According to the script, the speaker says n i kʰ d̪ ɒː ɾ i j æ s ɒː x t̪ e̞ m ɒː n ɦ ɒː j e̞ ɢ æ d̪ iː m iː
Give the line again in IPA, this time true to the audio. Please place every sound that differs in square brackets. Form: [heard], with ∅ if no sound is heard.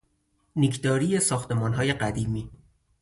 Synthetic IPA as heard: n i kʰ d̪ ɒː ɾ i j [e] s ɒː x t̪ e̞ m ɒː n ɦ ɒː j e̞ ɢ æ d̪ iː m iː